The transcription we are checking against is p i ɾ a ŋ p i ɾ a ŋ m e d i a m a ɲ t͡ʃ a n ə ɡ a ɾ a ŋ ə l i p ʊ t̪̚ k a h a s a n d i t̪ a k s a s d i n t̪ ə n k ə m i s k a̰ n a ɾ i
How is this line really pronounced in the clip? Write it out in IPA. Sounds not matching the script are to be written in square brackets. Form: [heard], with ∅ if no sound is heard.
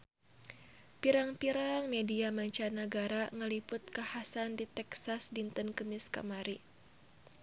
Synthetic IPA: p i ɾ a ŋ p i ɾ a ŋ m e d i a m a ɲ t͡ʃ a n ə ɡ a ɾ a ŋ ə l i p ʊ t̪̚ k a h a s a n d i t̪ [ɛ] k s a s d i n t̪ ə n k ə m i s k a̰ [m] a ɾ i